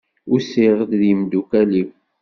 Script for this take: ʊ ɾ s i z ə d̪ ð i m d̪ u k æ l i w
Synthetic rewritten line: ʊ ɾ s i ʁ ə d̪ ð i m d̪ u k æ l i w